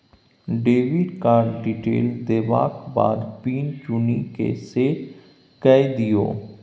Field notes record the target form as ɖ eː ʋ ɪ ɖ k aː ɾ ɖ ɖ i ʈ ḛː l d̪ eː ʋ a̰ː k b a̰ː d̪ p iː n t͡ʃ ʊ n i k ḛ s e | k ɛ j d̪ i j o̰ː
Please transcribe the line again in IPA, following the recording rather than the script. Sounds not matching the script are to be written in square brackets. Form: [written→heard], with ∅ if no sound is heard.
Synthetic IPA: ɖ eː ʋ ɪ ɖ k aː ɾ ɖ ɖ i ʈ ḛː l d̪ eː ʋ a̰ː k b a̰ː d̪ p iː n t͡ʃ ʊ n i k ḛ s e | k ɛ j d̪ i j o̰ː